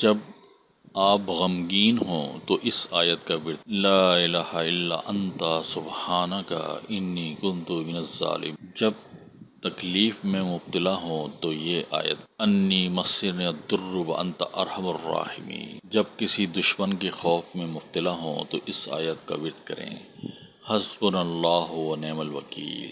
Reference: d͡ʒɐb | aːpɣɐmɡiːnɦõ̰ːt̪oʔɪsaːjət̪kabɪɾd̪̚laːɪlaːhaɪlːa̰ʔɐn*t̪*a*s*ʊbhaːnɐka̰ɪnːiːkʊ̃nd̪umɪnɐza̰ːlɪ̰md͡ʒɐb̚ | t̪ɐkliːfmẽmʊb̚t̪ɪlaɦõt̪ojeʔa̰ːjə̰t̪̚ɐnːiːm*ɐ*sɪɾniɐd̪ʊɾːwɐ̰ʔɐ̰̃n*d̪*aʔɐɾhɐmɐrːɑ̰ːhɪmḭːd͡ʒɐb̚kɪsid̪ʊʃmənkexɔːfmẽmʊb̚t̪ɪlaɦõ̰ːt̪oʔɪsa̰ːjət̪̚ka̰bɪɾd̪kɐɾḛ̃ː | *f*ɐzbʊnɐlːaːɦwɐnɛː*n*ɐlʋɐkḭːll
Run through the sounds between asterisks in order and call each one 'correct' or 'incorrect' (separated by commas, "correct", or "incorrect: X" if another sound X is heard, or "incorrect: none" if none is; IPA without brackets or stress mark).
correct, correct, correct, incorrect: t̪, incorrect: h, incorrect: m